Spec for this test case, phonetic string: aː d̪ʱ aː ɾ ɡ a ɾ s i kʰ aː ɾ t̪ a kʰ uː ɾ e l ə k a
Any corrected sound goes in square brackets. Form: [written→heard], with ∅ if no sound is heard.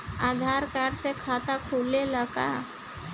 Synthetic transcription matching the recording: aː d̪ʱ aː ɾ [ɡ→k] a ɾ s [i→e] kʰ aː [ɾ→∅] t̪ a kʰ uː [ɾ→l] e l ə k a